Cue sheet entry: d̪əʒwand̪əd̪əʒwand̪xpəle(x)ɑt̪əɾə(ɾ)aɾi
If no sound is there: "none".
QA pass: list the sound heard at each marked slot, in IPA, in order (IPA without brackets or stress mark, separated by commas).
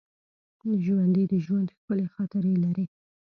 x, l